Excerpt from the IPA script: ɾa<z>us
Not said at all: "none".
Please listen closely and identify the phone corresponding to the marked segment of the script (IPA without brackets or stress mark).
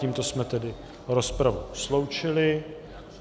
v